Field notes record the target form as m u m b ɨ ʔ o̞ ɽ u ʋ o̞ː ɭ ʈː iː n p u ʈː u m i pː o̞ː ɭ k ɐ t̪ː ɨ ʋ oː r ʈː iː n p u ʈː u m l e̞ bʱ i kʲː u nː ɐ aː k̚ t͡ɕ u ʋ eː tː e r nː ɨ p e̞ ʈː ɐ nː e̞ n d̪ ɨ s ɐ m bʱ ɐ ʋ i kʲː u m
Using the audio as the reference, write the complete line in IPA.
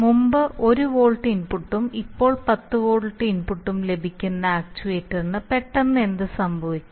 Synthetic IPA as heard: m u m b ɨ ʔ o̞ ɾ u ʋ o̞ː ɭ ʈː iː n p u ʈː u m i pː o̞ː ɭ p ɐ t̪ː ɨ ʋ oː ɭ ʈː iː n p u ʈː u m l e̞ bʱ i kʲː u nː ɐ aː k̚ t͡ɕ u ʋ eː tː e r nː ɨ p e̞ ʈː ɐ nː e̞ n d̪ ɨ s ɐ m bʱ ɐ ʋ i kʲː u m